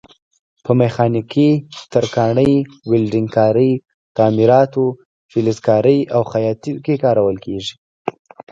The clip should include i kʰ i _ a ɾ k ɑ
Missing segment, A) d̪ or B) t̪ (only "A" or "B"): B